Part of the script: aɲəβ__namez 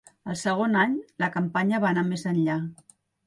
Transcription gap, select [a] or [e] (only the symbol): a